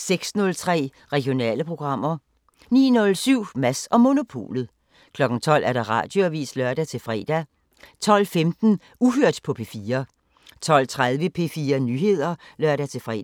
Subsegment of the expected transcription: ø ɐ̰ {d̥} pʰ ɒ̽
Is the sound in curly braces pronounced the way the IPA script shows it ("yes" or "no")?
yes